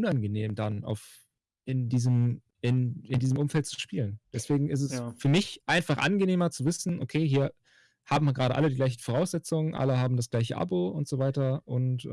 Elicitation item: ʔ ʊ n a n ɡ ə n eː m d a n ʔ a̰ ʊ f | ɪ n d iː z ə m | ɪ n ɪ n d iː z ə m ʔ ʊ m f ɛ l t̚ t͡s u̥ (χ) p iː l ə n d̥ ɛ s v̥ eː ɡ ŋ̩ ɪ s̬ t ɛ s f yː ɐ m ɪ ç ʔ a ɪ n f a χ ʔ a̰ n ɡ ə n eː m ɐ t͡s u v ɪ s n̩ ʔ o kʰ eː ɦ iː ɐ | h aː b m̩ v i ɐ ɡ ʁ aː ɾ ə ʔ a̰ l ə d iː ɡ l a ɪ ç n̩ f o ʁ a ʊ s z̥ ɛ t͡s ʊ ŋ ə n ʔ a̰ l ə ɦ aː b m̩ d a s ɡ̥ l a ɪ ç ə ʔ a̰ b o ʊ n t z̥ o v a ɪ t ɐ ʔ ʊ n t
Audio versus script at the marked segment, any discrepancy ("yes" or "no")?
yes